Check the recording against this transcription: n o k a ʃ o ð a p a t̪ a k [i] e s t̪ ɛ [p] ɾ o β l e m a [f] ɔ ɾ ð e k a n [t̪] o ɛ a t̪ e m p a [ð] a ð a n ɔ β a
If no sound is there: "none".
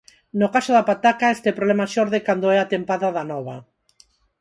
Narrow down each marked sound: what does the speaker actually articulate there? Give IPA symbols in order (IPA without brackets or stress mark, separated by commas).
a, p, ʃ, d̪, ð